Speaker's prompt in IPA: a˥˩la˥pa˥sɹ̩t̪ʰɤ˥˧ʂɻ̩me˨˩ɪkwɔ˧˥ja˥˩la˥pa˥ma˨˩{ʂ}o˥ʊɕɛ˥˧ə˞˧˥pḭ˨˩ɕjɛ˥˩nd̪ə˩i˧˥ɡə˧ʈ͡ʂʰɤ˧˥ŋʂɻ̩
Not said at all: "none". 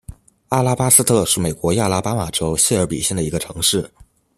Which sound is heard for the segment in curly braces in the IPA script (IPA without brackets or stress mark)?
ʈ͡ʂ